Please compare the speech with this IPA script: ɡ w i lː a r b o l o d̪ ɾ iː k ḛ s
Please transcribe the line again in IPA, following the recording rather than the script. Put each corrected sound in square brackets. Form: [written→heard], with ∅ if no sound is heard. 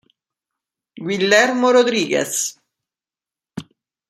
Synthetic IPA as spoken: ɡ w i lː [a→ɛ] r [b→m] o [l→ɾ] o d̪ ɾ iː [k→ɡ] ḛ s